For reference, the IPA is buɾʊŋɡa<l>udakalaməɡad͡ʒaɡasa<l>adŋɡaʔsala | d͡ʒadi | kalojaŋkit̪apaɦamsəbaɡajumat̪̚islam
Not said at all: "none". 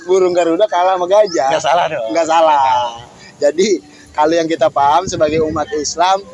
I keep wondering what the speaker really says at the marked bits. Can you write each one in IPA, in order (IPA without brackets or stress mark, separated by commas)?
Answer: ɾ, l